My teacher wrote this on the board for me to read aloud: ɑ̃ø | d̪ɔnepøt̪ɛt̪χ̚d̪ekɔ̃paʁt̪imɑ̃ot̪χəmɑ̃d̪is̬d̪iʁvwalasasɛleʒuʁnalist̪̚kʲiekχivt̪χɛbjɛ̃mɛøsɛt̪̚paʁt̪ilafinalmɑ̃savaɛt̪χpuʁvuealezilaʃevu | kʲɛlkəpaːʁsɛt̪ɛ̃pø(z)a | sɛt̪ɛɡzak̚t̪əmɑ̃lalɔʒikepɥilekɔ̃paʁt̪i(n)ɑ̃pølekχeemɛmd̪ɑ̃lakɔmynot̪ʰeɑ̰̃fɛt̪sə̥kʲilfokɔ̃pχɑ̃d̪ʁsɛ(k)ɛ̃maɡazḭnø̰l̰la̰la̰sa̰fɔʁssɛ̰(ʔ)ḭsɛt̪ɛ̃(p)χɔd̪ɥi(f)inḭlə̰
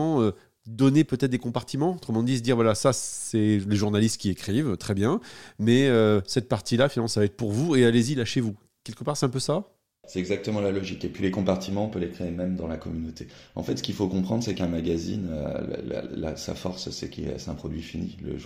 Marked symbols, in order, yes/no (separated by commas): no, no, yes, no, yes, yes